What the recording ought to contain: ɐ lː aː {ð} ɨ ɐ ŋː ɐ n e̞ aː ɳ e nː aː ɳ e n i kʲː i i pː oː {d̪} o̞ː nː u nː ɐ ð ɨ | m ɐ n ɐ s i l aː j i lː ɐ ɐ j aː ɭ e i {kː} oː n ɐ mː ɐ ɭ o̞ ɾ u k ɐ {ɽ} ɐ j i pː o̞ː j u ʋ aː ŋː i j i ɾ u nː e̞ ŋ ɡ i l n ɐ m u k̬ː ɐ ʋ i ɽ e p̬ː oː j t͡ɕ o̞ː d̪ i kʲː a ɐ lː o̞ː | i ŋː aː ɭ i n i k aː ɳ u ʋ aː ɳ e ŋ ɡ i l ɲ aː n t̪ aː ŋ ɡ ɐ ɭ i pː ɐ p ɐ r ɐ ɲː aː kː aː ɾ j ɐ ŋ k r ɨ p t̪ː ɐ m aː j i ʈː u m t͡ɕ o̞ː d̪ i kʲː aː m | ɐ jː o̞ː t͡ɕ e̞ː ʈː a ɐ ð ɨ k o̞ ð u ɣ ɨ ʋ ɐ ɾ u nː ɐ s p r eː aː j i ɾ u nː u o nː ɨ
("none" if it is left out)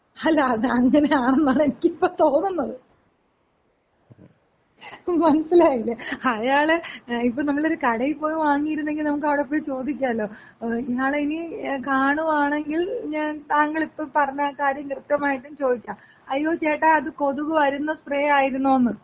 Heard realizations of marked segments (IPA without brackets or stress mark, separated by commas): ð, t̪, pː, ɽ